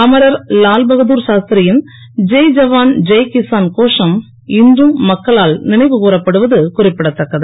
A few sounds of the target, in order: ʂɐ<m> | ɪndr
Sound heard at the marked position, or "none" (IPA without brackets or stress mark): m